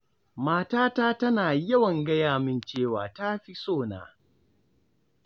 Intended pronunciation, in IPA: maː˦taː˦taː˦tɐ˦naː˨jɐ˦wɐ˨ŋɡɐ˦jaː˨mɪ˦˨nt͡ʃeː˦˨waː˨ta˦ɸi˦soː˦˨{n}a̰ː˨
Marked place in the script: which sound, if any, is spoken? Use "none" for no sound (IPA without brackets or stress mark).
n